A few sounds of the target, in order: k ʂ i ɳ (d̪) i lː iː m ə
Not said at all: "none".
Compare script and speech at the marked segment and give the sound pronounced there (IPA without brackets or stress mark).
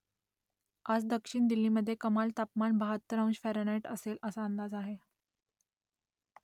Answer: d̪